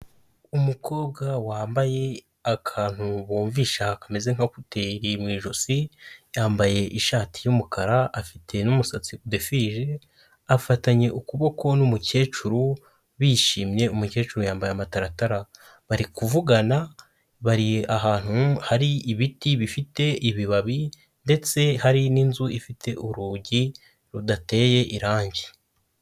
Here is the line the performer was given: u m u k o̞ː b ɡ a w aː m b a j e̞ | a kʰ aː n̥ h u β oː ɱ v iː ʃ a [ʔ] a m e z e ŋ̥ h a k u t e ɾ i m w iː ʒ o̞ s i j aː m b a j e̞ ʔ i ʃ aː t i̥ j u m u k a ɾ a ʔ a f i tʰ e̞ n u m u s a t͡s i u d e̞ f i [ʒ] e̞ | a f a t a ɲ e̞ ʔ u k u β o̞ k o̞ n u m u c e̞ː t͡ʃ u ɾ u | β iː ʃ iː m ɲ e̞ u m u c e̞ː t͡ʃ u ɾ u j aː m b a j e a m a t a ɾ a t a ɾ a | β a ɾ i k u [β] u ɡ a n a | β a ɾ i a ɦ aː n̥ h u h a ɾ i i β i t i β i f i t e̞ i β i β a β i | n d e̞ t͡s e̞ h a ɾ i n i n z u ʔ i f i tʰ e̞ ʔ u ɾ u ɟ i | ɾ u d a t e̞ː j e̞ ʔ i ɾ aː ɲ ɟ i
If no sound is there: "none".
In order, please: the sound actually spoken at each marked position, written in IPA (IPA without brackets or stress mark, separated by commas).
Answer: k, ʒ, v